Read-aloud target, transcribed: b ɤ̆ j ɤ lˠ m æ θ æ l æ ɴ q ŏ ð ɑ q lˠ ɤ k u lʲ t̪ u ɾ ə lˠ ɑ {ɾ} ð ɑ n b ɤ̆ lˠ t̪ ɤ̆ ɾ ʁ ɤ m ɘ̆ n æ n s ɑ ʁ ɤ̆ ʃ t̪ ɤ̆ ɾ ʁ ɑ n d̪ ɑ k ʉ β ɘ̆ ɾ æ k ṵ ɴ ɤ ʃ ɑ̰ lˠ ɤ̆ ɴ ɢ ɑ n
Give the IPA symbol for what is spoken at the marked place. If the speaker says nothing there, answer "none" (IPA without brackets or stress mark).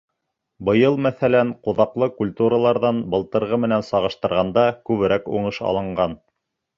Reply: ɾ